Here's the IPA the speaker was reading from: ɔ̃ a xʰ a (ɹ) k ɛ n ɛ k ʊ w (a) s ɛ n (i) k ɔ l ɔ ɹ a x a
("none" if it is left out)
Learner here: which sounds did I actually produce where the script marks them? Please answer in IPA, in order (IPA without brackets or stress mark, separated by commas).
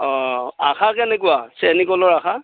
none, a, i